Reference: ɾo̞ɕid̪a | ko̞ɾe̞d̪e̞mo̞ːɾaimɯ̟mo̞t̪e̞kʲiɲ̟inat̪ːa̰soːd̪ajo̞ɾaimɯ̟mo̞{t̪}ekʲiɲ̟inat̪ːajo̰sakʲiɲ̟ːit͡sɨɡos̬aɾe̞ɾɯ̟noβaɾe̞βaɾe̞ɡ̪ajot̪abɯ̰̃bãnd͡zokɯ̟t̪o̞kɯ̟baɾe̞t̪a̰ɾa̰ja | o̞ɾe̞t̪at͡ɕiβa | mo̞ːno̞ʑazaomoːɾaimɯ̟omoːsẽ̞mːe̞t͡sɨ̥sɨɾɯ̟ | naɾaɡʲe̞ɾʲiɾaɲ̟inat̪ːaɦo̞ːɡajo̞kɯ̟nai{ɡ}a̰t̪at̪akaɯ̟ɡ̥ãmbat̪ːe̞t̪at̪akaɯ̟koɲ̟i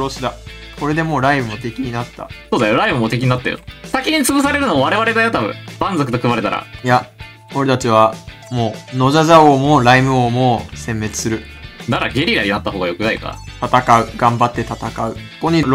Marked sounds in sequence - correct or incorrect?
correct, incorrect: k

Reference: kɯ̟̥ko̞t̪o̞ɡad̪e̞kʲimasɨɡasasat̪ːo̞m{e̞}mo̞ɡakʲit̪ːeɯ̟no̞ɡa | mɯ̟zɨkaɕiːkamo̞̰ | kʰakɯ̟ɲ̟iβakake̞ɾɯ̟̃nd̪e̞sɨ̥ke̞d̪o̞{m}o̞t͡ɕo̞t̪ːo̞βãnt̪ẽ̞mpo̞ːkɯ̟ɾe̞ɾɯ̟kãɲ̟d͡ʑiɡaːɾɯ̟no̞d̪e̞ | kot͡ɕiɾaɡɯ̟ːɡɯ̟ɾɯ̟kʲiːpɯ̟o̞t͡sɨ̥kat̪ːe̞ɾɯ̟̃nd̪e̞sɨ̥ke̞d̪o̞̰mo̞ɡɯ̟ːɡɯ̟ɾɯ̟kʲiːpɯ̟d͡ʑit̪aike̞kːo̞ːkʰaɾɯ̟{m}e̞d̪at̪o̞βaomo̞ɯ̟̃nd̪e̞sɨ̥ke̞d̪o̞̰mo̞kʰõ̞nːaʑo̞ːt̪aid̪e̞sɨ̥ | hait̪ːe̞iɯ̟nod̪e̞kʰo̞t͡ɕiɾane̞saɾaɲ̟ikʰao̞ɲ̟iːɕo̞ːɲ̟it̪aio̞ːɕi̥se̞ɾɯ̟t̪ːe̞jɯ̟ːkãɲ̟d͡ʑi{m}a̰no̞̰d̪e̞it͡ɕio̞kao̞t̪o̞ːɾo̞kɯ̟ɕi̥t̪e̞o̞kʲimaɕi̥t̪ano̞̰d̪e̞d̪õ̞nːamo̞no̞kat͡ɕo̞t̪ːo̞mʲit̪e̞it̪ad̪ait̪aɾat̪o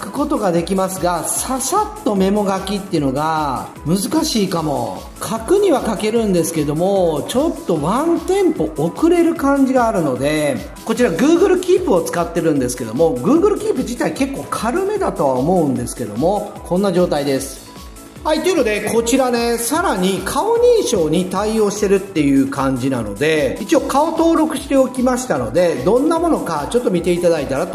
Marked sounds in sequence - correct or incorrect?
correct, correct, correct, incorrect: n

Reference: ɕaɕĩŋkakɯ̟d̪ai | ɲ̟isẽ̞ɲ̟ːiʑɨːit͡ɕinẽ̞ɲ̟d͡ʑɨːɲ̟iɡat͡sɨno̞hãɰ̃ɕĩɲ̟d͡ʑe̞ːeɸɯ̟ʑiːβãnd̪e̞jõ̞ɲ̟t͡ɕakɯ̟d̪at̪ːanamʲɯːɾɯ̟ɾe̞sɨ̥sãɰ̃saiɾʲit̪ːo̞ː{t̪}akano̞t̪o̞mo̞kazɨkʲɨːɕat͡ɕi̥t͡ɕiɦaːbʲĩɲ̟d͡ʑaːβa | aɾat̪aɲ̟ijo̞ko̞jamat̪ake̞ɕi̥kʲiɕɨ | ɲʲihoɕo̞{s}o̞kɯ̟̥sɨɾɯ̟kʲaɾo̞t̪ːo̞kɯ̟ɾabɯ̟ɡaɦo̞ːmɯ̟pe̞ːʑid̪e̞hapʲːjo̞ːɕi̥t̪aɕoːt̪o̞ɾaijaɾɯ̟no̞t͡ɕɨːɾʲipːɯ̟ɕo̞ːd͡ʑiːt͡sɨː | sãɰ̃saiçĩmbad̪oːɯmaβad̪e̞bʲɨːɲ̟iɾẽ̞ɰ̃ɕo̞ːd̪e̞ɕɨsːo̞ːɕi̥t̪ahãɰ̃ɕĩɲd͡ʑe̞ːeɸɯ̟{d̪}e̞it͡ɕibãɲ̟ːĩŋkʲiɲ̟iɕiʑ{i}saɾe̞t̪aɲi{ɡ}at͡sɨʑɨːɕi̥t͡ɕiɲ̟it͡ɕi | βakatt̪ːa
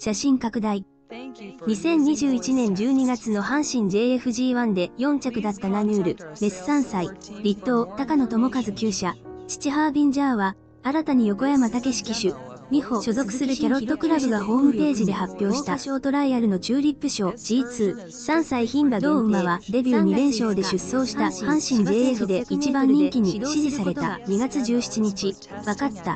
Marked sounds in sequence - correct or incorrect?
correct, incorrect: z, correct, correct, correct

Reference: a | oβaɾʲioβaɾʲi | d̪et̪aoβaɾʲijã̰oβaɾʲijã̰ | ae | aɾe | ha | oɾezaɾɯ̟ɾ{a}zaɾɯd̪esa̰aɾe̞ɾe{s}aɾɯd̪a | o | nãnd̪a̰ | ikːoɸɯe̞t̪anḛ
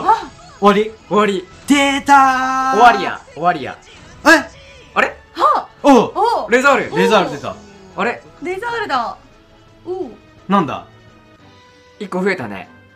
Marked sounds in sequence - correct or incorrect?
incorrect: e, incorrect: z

